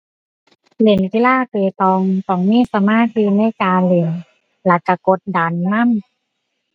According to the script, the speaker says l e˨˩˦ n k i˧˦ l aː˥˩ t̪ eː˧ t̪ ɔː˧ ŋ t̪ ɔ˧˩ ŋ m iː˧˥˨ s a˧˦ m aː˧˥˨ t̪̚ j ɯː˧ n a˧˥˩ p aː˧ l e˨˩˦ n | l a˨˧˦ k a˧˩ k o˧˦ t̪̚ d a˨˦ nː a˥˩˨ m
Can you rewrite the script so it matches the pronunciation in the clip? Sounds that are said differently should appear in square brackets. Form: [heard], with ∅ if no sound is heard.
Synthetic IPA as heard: l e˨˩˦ n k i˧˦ l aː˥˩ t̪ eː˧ t̪ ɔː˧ ŋ t̪ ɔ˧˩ ŋ m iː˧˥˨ s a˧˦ m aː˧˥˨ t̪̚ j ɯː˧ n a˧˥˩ [k] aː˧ l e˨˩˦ n | l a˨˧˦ k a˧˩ k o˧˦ t̪̚ d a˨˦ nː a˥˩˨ m